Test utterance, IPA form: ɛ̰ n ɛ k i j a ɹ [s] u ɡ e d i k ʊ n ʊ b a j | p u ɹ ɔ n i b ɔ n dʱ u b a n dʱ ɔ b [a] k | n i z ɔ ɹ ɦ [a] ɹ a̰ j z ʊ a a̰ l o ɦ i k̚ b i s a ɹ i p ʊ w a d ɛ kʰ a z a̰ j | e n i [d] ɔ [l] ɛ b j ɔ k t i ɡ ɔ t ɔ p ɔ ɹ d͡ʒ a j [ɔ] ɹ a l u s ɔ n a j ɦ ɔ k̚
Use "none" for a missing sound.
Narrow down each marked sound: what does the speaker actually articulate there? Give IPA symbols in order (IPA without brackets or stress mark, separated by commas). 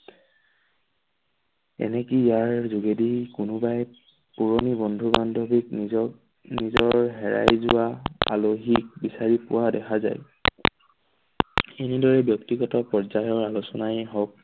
z, i, ɛ, d, ɹ, ɔ